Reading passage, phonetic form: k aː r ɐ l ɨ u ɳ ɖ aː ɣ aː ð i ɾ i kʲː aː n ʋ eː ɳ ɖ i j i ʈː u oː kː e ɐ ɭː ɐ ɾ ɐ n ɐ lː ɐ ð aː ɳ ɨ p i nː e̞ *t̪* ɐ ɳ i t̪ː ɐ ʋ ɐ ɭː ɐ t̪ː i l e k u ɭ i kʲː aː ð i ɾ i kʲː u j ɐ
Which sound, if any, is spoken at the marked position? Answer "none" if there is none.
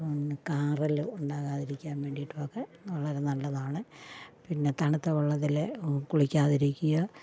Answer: t̪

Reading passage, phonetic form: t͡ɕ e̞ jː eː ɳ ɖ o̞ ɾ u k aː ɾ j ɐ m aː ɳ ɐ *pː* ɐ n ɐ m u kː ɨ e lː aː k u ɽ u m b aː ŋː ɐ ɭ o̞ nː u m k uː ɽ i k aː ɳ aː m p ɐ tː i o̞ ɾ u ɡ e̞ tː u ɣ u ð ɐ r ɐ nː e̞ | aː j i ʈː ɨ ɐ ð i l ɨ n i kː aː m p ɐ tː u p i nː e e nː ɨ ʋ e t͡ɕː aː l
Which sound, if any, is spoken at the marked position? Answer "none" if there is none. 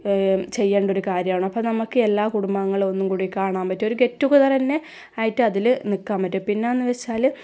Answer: pː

